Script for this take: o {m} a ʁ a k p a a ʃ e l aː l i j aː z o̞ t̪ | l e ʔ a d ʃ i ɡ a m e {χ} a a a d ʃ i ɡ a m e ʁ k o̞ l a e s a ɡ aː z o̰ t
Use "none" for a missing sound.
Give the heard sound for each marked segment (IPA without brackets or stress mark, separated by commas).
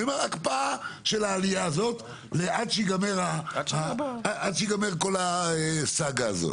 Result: m, ʁ